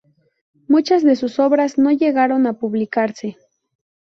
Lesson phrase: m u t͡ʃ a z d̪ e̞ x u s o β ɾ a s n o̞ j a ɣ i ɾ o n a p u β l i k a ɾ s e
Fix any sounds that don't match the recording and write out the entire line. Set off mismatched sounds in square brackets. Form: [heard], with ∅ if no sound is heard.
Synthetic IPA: m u t͡ʃ a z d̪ e̞ [s] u s o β ɾ a s n o̞ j [e] ɣ [a] ɾ o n a p u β l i k a ɾ s e